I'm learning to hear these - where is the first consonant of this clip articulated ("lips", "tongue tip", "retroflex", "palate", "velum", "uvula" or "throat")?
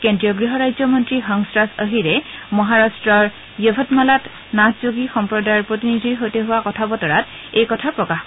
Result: velum